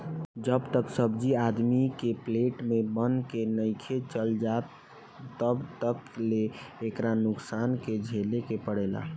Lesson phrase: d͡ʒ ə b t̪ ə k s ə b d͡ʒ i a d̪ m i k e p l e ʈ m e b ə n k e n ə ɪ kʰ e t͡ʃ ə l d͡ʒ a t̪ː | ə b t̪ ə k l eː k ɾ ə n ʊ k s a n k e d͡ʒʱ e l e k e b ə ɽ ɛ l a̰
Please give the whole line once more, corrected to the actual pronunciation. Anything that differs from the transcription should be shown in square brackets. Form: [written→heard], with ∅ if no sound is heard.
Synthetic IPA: d͡ʒ ə b t̪ ə k s ə b d͡ʒ i a d̪ m i k e p l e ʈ m e b ə n k e n ə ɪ kʰ e t͡ʃ ə l d͡ʒ a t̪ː | ə b t̪ ə k l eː k ɾ [ə→a] n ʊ k s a n k e d͡ʒʱ e l e k e [b→p] ə ɽ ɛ l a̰